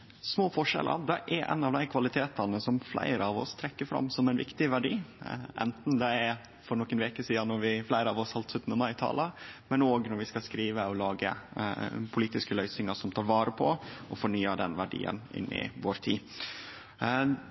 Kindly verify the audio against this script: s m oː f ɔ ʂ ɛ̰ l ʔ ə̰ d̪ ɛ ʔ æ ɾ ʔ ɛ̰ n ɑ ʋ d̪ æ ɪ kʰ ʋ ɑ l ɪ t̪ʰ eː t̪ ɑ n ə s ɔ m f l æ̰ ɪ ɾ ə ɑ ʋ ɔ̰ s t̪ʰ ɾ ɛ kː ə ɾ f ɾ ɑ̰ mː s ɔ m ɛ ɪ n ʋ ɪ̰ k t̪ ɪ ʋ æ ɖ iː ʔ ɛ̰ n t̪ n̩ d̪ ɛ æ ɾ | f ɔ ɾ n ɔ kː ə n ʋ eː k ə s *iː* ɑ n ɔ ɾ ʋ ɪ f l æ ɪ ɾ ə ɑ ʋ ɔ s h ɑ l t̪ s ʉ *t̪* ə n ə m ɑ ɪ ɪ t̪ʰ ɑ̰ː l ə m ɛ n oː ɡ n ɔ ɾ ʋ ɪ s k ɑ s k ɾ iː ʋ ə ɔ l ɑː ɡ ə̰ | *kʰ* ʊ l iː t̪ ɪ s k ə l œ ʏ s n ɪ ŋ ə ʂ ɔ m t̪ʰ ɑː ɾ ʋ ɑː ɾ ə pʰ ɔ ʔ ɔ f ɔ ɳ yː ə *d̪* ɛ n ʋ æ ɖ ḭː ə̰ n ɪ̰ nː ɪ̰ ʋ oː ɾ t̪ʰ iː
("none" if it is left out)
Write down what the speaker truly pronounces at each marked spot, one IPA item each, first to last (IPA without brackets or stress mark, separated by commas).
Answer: iː, t̪, pʰ, d̪